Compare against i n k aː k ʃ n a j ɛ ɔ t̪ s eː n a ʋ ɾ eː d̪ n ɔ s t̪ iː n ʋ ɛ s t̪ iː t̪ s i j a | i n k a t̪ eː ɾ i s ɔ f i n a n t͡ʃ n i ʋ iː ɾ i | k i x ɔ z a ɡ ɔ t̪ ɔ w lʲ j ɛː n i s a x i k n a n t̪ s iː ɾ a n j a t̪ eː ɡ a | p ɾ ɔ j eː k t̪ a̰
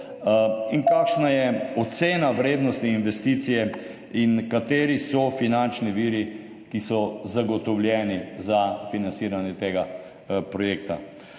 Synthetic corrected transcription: i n k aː k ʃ n a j ɛ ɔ t̪ s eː n a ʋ ɾ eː d̪ n ɔ s t̪ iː n ʋ ɛ s t̪ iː t̪ s i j ɛ | i n k a t̪ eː ɾ i s ɔ f i n a n t͡ʃ n i ʋ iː ɾ i | k i s ɔ z a ɡ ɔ t̪ ɔ w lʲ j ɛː n i z a f i n a n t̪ s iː ɾ a n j ɛ t̪ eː ɡ a | p ɾ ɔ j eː k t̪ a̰